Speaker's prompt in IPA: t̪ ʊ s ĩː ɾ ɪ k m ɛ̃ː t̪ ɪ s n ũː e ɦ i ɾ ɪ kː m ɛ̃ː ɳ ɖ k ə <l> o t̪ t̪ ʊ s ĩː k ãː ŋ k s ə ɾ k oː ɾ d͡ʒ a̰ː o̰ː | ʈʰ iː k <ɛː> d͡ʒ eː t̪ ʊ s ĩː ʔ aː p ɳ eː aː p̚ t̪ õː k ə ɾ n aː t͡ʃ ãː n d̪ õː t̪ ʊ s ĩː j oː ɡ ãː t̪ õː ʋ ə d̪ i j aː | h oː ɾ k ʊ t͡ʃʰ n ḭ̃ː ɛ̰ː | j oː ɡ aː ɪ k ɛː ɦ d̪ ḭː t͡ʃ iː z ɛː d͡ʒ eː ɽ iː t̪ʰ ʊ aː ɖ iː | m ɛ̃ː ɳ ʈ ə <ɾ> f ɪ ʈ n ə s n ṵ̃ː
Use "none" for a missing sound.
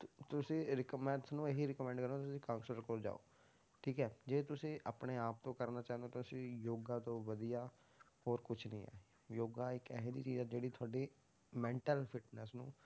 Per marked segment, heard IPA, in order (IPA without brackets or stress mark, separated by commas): ɾ, ɛː, l